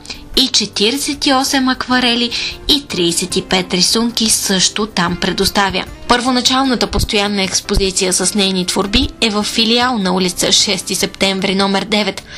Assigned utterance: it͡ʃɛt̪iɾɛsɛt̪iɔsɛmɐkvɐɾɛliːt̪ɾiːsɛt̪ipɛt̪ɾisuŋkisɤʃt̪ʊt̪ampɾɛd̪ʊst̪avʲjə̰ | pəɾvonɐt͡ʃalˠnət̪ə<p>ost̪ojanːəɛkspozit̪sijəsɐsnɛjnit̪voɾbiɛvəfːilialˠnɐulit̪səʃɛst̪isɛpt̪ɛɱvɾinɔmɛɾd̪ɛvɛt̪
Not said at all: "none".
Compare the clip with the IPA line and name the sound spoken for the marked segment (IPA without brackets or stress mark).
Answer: p